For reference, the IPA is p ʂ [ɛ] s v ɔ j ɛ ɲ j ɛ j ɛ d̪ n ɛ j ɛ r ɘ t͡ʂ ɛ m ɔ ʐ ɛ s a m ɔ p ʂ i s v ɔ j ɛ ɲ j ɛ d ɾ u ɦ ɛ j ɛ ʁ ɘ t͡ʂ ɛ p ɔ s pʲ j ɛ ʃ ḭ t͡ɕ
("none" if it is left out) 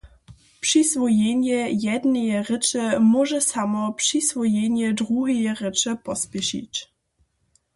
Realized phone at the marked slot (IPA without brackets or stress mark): i